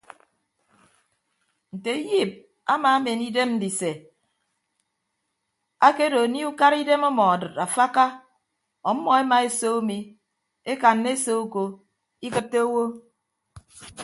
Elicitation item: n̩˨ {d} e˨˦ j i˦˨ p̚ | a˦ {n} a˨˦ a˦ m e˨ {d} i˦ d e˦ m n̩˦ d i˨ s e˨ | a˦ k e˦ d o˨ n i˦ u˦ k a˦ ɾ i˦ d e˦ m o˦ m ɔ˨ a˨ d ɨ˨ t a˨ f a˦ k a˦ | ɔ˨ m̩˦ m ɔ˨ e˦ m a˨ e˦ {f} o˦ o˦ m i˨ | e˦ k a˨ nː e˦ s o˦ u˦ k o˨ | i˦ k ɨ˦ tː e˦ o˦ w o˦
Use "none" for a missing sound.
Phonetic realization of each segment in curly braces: t, m, n, s

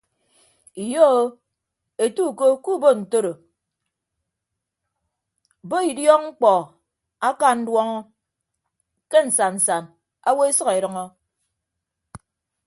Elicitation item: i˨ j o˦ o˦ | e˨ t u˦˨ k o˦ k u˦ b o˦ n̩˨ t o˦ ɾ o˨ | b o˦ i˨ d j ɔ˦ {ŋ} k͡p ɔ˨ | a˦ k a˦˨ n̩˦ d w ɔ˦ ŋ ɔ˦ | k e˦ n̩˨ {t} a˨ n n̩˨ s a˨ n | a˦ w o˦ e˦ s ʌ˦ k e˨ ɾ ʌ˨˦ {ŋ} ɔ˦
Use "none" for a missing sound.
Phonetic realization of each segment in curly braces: ŋ͡m̩, s, ŋ

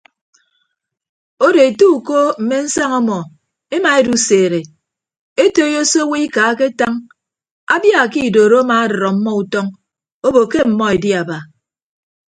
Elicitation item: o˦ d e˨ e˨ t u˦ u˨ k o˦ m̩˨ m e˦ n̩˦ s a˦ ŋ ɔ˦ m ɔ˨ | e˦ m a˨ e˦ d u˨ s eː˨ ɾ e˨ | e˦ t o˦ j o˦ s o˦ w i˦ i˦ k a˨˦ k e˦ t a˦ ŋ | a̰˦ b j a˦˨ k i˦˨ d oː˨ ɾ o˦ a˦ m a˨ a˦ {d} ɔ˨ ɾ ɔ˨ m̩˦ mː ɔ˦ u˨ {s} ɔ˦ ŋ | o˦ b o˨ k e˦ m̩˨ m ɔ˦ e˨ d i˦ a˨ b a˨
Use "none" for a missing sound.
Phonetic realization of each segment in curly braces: d, t

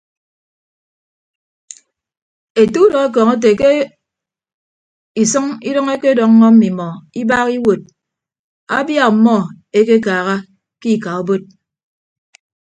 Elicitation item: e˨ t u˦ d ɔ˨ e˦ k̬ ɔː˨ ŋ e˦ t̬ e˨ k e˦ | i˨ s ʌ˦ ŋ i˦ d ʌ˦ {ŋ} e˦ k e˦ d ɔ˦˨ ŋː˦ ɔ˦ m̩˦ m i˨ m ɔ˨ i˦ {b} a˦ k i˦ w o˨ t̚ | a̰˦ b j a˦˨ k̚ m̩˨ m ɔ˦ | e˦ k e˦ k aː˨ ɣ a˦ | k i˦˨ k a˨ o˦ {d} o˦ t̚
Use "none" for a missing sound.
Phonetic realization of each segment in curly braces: ŋ, b, b

